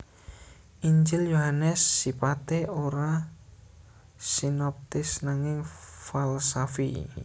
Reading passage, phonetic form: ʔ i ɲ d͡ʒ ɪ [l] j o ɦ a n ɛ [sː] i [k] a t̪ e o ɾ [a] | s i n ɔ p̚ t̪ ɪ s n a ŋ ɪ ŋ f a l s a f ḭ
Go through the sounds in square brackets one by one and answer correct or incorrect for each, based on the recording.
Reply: correct, correct, incorrect: p, correct

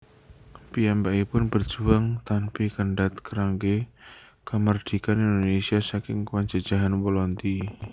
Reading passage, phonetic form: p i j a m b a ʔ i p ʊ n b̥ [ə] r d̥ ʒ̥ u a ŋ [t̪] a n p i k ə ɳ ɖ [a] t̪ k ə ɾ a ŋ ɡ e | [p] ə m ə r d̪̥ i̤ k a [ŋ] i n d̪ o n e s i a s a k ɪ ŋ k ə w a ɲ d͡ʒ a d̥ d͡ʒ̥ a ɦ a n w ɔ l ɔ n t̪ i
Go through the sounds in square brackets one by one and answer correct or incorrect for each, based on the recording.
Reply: correct, correct, correct, incorrect: k, incorrect: n

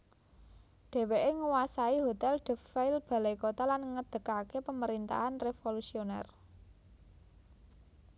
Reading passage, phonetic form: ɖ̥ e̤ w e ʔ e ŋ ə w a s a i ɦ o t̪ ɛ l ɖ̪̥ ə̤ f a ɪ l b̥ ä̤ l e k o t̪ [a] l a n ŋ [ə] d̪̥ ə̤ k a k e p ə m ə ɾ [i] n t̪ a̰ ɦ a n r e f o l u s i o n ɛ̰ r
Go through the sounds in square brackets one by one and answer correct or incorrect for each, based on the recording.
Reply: correct, correct, correct

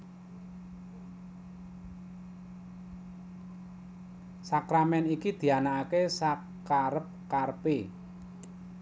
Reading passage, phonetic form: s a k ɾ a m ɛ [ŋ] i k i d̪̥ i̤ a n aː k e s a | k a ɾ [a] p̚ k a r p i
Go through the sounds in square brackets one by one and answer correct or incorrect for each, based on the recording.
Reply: incorrect: n, incorrect: ə

